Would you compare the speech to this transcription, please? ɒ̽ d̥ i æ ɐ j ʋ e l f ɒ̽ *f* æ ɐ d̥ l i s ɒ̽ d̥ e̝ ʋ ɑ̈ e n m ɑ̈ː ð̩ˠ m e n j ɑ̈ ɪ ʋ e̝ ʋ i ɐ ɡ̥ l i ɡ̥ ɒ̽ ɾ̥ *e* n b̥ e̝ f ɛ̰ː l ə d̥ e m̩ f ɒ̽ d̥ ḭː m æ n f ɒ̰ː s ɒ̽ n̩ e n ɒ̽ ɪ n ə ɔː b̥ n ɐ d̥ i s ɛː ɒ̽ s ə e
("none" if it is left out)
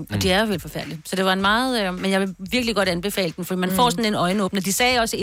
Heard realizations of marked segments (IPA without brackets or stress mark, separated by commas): f, æ